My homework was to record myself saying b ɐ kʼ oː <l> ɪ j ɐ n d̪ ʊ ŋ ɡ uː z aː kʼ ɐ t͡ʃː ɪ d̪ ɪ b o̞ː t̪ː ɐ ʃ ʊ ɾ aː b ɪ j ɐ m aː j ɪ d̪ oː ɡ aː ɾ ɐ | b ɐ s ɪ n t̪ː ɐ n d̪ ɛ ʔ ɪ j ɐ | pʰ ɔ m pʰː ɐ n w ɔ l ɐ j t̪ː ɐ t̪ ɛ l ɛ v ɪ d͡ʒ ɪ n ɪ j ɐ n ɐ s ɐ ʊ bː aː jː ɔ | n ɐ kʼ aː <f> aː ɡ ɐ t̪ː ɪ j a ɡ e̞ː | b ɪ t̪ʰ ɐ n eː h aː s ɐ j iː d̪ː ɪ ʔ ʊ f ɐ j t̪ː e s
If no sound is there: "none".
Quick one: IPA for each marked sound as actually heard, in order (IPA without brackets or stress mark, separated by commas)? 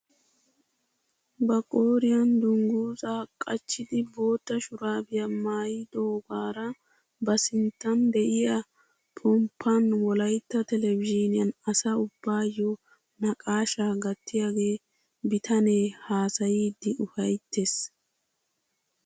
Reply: ɾ, ʃ